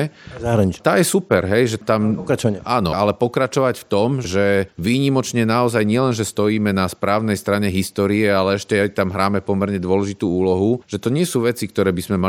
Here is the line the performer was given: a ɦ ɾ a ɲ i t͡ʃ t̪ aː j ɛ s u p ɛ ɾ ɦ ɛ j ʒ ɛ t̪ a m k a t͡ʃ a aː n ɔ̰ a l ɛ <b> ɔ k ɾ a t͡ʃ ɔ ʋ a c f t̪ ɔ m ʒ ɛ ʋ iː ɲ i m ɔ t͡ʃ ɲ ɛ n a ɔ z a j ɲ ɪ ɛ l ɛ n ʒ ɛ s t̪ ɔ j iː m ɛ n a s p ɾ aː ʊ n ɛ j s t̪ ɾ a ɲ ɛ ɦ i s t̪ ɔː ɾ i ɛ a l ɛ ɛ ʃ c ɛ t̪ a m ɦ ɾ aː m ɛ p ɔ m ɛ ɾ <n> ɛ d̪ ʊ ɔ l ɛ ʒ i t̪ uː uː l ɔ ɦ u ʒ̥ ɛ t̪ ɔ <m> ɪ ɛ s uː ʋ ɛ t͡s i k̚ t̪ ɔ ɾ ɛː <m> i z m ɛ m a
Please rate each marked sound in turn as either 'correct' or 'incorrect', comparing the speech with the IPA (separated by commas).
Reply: incorrect, incorrect, incorrect, incorrect